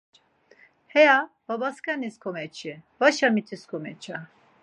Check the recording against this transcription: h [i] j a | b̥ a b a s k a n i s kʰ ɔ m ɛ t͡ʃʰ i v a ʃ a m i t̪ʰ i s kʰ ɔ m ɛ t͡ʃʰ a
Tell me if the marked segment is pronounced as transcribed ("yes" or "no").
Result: no